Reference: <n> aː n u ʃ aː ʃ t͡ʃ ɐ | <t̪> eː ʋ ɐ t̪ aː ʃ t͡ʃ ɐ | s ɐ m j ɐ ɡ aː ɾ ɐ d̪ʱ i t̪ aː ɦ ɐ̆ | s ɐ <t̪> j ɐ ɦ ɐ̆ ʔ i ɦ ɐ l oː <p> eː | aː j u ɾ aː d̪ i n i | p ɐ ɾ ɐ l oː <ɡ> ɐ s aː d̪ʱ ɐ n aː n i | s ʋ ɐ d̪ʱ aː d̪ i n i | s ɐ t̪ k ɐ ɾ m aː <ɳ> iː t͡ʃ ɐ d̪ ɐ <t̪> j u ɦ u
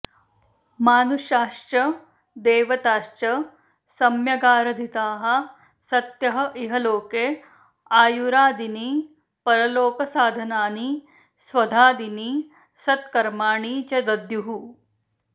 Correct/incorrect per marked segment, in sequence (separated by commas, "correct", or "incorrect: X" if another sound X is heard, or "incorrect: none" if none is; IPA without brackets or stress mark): incorrect: m, incorrect: d̪, correct, incorrect: k, incorrect: k, correct, incorrect: d̪